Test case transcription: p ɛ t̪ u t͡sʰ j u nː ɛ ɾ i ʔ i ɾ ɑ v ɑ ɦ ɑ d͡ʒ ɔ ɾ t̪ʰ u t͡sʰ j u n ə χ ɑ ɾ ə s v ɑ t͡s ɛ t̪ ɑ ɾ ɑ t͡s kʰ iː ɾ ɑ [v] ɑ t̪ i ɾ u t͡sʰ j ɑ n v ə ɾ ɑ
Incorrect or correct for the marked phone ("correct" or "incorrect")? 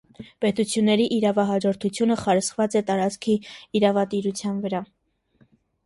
correct